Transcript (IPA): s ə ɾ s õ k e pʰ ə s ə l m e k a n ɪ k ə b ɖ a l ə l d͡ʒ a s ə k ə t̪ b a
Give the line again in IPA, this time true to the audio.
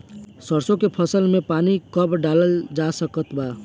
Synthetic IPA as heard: s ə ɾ s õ k e pʰ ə s ə l m e p a n i k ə b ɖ a l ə l d͡ʒ a s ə k ə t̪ b a